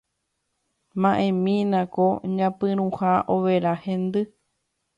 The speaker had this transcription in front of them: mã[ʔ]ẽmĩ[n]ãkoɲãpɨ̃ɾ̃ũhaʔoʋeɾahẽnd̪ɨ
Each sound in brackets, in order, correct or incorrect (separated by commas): correct, correct